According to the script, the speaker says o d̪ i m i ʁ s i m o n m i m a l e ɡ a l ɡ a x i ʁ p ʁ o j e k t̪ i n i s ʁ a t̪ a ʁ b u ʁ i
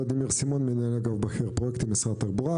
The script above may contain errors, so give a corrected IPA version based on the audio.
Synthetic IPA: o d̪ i m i ʁ s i m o n m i n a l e ɡ a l b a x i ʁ p ʁ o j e k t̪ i m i s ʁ a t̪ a ʁ b u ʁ a